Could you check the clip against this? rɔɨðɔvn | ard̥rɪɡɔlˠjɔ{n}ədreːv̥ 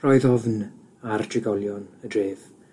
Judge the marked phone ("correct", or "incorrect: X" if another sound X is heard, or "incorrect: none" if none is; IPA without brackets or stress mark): correct